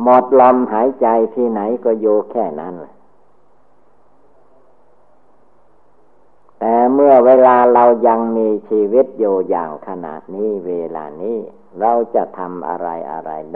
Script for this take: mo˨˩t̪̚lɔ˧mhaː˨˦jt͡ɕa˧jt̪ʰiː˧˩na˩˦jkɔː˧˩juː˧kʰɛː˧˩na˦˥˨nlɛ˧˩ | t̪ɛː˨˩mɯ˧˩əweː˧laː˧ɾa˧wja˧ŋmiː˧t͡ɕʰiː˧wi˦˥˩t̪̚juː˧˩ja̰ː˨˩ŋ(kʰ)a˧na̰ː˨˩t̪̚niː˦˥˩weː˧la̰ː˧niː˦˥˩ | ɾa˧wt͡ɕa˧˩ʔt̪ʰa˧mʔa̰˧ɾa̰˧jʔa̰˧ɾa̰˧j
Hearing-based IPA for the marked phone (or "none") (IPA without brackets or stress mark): kʰ